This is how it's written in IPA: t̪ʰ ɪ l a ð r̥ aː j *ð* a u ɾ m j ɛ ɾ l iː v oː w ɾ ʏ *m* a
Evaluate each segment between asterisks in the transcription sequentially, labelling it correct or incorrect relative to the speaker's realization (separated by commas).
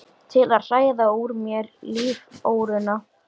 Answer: correct, incorrect